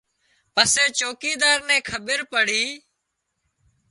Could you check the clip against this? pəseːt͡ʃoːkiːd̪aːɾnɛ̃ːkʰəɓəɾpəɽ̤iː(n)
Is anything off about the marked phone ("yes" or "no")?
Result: yes